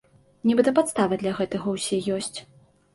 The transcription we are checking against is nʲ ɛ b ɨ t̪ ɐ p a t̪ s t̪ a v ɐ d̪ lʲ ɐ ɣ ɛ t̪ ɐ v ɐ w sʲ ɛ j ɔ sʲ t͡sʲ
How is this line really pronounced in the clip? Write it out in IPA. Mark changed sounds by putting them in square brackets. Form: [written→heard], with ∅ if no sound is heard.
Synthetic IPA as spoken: nʲ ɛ b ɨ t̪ ɐ p a t̪ s t̪ a v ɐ d̪ lʲ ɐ ɣ ɛ t̪ ɐ [v→ɣ] ɐ w sʲ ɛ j ɔ sʲ t͡sʲ